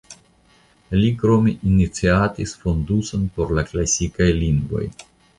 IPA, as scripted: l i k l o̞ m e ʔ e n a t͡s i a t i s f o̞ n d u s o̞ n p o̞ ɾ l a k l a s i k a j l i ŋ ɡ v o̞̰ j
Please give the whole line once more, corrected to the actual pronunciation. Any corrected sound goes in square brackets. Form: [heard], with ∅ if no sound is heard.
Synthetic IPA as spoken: l i k [ɾ] o̞ m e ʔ [i] n [i] t͡s i a t i s f o̞ n d u s o̞ n p o̞ ɾ l a k l a s i k a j l i ŋ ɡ v o̞̰ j